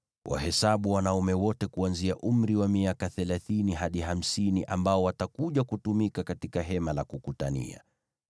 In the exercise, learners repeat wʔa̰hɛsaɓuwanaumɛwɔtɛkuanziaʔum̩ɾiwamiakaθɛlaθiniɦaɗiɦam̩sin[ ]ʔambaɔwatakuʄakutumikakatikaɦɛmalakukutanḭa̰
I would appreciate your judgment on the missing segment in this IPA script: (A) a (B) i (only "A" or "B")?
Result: B